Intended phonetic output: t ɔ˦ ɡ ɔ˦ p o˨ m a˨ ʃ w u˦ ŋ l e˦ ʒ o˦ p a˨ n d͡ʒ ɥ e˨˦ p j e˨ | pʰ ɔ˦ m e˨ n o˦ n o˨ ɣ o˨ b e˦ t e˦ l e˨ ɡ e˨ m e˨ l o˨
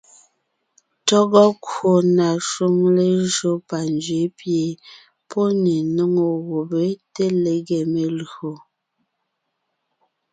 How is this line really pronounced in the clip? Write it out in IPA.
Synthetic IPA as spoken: t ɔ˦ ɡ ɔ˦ k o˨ n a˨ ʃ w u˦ ŋ l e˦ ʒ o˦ p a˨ n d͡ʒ ɥ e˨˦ p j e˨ | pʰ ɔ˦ n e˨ n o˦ ŋ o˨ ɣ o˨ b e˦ t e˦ l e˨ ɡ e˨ m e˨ l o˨